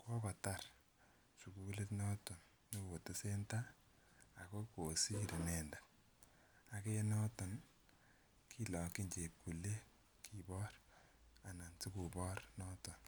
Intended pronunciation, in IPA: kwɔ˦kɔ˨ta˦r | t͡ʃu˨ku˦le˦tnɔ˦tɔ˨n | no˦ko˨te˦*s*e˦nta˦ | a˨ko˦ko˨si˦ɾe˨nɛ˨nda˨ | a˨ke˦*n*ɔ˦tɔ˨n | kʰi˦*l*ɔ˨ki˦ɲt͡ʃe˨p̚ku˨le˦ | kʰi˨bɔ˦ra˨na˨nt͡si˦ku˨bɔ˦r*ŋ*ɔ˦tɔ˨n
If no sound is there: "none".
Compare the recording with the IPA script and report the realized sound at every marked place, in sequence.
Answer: s, n, l, n

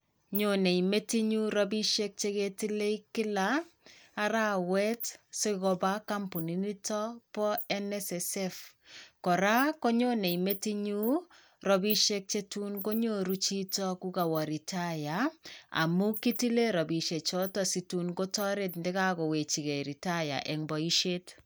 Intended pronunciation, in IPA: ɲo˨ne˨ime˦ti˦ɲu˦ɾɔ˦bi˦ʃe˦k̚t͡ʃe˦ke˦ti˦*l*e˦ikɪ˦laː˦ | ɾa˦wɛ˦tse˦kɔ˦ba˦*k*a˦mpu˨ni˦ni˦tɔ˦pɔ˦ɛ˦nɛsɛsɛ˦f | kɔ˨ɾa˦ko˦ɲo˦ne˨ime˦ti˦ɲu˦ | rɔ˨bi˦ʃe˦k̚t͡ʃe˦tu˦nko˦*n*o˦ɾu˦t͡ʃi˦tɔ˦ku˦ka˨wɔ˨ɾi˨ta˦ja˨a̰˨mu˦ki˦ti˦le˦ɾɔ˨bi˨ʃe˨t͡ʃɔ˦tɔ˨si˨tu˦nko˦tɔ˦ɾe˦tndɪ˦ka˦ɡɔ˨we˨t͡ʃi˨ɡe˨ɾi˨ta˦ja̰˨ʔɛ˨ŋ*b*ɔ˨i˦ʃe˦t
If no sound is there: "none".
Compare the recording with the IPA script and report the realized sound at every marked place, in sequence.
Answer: l, k, ɲ, b

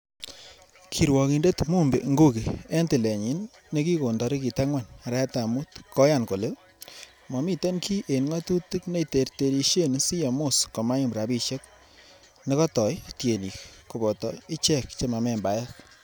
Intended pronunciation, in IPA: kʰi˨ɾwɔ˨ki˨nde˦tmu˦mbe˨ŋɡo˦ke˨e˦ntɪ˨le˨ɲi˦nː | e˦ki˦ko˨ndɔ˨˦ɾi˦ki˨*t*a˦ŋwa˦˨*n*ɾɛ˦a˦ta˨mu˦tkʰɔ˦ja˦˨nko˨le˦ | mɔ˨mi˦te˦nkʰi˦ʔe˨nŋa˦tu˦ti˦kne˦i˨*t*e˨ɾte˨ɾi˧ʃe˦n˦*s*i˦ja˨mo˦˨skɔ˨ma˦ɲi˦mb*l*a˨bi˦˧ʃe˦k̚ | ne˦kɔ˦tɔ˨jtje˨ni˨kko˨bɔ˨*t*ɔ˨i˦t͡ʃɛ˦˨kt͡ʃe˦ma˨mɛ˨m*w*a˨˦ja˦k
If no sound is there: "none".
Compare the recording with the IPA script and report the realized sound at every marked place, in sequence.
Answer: t, n, t, s, ɾ, t, b

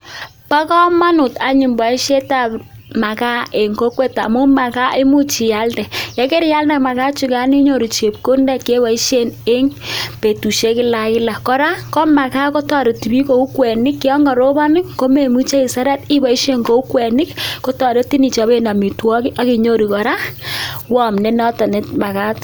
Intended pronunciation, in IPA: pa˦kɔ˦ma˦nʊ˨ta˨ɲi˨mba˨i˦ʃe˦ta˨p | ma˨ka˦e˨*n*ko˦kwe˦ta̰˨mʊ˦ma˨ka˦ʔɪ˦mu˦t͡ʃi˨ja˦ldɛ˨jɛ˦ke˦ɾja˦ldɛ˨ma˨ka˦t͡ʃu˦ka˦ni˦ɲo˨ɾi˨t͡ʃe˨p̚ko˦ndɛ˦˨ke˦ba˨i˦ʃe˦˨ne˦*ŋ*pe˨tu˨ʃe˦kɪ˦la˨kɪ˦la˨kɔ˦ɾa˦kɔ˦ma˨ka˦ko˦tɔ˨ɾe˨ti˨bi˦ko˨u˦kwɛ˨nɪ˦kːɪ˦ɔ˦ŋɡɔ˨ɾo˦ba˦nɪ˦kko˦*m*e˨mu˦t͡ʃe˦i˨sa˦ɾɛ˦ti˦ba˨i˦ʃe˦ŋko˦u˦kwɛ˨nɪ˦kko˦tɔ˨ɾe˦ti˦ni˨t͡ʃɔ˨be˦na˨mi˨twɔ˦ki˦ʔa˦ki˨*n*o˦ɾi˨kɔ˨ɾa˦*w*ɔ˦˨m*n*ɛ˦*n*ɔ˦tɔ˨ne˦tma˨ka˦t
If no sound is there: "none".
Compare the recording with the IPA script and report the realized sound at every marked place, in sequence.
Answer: ŋ, ŋ, m, ɲ, w, n, n

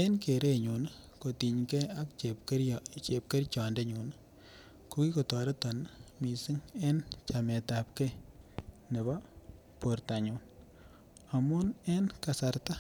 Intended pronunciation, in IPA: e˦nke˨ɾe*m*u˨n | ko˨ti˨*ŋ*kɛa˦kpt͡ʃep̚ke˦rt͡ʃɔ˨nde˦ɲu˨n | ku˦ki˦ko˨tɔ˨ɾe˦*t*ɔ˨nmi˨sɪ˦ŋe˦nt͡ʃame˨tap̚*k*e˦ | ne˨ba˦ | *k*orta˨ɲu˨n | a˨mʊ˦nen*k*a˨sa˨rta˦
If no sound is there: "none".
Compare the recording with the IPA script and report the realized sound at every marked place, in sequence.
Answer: ɲ, ɲ, t, k, p, k

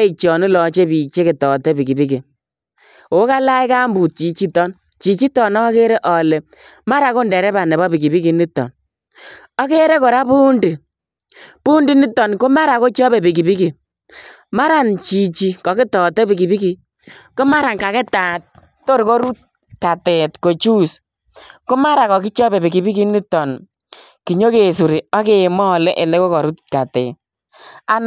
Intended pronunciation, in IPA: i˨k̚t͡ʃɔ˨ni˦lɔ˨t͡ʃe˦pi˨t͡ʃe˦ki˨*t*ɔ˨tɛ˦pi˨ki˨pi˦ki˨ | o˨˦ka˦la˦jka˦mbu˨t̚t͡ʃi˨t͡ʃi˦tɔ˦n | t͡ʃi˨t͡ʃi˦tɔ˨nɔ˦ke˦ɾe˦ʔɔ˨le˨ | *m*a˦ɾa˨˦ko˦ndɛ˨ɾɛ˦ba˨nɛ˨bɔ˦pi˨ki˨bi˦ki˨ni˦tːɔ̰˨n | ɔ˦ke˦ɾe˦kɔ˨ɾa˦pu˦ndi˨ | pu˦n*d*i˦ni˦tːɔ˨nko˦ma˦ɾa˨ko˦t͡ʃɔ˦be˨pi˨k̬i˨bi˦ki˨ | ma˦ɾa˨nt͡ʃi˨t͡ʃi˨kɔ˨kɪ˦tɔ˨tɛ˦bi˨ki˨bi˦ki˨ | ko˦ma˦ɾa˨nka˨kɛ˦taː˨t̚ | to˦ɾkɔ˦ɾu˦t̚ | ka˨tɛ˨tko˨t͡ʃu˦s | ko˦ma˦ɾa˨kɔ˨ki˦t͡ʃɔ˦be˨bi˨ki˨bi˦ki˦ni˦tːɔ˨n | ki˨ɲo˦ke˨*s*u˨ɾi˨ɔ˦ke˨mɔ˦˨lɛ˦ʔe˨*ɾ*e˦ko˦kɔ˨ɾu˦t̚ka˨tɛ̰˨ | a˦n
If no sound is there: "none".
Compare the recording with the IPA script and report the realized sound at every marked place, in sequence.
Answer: t, m, d, s, l

